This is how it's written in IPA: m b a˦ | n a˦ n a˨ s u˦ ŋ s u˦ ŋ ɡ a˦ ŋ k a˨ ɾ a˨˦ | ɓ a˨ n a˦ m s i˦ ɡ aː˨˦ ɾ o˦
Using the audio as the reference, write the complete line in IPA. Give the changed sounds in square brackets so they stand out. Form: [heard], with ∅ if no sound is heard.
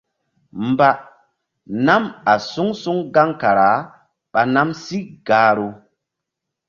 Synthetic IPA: m b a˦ | n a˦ [m] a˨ s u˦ ŋ s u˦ ŋ ɡ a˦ ŋ k a˨ ɾ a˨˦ | ɓ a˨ n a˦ m s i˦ ɡ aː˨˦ ɾ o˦